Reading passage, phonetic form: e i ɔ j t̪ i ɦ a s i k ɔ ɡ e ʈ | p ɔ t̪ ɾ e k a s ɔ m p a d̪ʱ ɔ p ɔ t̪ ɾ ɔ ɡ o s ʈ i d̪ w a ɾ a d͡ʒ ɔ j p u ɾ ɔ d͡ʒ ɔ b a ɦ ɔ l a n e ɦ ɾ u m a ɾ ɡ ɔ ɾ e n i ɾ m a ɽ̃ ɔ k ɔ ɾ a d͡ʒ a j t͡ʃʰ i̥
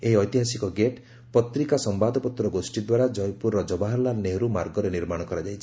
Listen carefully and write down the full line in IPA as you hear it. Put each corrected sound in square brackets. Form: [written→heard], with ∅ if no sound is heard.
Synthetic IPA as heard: e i ɔ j t̪ i ɦ a s i k ɔ ɡ e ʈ | p ɔ t̪ ɾ [e→i] k a s ɔ m [p→b] a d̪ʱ ɔ p ɔ t̪ ɾ ɔ ɡ o s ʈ i d̪ w a ɾ a d͡ʒ ɔ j p u ɾ ɔ d͡ʒ ɔ b a ɦ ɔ l a n e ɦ ɾ u m a ɾ ɡ ɔ ɾ e n i ɾ m a ɽ̃ ɔ k ɔ ɾ a d͡ʒ a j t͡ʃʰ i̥

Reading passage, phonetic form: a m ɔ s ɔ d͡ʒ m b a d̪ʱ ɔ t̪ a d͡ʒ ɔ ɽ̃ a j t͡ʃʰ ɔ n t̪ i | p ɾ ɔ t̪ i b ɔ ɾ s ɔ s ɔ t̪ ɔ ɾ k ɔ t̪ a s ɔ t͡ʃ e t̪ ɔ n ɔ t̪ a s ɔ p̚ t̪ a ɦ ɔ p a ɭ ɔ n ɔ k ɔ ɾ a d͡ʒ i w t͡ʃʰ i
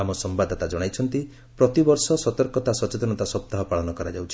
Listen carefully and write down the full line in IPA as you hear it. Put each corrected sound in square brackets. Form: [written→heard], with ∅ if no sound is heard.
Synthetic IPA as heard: a m ɔ s ɔ [d͡ʒ→∅] m b a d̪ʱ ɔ t̪ a d͡ʒ ɔ ɽ̃ a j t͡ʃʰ ɔ n t̪ i | p ɾ ɔ t̪ i b ɔ ɾ s ɔ s ɔ t̪ ɔ ɾ k ɔ t̪ a s ɔ t͡ʃ e t̪ ɔ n ɔ t̪ a s ɔ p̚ t̪ a ɦ ɔ p a ɭ ɔ n ɔ k ɔ ɾ a d͡ʒ [i→a] w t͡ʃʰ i

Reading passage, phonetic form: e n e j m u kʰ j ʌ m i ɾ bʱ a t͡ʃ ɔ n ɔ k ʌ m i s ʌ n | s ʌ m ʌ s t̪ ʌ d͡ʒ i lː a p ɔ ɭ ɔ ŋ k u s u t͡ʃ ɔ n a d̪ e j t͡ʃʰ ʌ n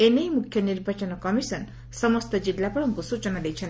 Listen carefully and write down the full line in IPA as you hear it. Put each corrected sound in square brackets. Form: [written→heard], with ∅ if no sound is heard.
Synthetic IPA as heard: e n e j m u kʰ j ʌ [m→n] i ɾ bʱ a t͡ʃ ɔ n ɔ k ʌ m i s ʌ n | s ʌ m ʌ s t̪ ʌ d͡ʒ i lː a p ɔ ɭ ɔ ŋ k u s u t͡ʃ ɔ n a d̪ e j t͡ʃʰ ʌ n

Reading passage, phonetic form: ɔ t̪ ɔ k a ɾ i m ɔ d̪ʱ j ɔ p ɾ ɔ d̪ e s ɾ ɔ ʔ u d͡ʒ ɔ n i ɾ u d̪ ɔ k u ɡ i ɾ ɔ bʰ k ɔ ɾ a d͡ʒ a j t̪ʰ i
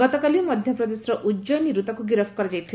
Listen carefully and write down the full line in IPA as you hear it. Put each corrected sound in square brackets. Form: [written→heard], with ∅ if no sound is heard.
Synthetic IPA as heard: ɔ t̪ ɔ k a [ɾ→l] i m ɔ d̪ʱ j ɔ p ɾ ɔ d̪ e s ɾ ɔ ʔ u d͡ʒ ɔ n i ɾ u [d̪→t̪] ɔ k u ɡ i ɾ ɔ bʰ k ɔ ɾ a d͡ʒ a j t̪ʰ i

